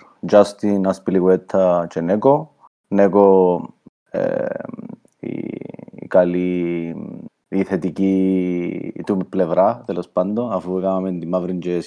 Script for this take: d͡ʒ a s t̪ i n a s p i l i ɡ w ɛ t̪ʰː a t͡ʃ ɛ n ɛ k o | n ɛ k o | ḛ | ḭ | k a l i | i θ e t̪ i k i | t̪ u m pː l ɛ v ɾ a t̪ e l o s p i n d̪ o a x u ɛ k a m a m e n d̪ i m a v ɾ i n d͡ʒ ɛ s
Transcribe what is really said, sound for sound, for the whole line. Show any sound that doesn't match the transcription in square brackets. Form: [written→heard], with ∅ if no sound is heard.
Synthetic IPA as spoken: d͡ʒ a s t̪ i n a s p i l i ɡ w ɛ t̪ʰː a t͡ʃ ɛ n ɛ k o | n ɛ k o | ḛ | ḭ | k a l i | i θ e t̪ i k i | t̪ u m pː l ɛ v ɾ a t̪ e l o s p [i→a] n d̪ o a [x→f] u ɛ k a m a m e n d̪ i m a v ɾ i n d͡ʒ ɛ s